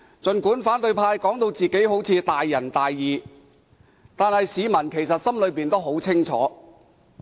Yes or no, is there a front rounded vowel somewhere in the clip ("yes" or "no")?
no